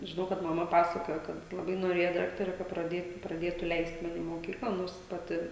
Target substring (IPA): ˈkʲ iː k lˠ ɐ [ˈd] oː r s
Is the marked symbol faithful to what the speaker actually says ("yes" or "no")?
no